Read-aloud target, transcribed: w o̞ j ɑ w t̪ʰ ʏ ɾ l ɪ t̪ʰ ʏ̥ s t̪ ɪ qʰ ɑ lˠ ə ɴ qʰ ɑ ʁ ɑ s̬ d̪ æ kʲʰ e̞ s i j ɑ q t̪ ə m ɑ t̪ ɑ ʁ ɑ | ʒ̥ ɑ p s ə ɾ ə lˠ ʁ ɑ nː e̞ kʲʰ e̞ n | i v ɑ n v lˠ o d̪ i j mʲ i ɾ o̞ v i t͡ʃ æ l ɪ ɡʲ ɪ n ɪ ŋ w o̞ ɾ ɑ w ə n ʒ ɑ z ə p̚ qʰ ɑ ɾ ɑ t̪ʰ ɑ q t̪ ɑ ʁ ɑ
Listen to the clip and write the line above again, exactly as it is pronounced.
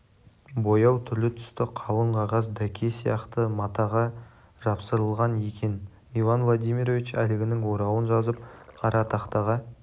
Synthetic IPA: b o̞ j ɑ w t̪ʰ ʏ ɾ l ɪ t̪ʰ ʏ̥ s t̪ ɪ qʰ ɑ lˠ ə ɴ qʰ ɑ ʁ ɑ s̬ d̪ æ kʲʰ e̞ s i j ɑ q t̪ ə m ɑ t̪ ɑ ʁ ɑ | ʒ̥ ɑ p s ə ɾ ə lˠ ʁ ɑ n e̞ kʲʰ e̞ n | i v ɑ n v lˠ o d̪ i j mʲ i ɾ o̞ v i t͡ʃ æ l ɪ ɡʲ ɪ n ɪ ŋ w o̞ ɾ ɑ w ə n ʒ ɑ z ə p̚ qʰ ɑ ɾ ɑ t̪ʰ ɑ q t̪ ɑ ʁ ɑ